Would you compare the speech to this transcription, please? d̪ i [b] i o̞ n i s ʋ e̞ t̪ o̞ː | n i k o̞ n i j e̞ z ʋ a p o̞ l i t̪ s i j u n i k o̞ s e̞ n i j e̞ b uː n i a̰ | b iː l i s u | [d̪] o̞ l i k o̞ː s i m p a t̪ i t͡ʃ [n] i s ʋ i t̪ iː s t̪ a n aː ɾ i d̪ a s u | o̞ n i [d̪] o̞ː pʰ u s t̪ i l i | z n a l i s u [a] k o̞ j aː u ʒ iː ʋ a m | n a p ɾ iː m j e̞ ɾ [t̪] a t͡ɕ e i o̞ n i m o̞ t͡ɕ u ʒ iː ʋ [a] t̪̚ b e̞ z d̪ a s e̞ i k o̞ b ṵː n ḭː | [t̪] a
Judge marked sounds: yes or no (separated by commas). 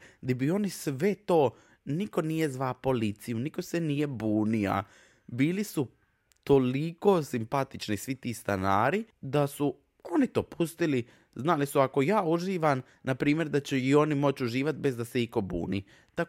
yes, no, yes, no, yes, no, yes, yes